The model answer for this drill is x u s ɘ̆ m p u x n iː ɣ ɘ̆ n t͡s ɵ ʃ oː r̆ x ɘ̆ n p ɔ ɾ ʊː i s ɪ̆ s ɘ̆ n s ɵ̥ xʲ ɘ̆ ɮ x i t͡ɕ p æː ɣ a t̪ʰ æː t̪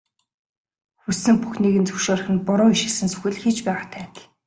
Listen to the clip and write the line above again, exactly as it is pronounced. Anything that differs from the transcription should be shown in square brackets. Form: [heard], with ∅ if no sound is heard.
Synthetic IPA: x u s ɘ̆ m p u x n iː ɣ ɘ̆ n t͡s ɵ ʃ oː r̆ x ɘ̆ n p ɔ ɾ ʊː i [ʃ] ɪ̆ s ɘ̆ n s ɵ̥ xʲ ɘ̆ ɮ x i t͡ɕ p æː [ʁ] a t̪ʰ æː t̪